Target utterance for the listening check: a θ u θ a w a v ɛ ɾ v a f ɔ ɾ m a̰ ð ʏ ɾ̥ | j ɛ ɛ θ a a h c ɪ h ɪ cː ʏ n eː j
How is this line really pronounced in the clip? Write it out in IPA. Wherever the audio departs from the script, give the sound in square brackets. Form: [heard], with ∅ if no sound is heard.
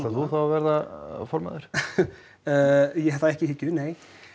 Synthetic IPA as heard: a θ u θ a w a v ɛ ɾ [ð] a f ɔ ɾ m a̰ ð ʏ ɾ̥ | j ɛ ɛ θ a [ɛ] h c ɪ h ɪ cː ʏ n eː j